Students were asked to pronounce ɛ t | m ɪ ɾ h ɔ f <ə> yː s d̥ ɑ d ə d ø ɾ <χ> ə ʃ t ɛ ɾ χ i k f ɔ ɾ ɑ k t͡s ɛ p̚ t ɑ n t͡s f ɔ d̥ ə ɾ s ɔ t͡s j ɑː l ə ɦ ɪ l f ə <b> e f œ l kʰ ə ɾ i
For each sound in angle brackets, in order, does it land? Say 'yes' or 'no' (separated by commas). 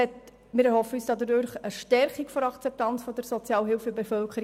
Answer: yes, yes, yes